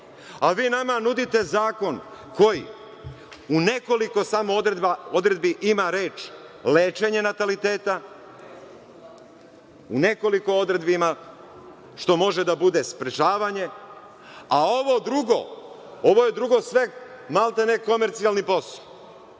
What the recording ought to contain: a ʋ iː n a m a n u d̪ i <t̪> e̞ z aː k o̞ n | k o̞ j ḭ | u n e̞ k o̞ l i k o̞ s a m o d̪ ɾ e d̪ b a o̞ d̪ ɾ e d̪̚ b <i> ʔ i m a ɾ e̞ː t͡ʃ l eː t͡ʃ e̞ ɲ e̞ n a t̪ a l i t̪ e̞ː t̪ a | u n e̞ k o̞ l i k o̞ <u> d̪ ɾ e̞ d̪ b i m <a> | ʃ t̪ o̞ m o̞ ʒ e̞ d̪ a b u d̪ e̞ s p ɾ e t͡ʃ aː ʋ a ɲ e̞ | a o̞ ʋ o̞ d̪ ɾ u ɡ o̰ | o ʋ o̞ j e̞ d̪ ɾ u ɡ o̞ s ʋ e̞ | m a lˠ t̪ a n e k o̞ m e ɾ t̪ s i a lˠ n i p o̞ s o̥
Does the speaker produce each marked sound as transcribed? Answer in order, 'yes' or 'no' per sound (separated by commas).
yes, yes, no, yes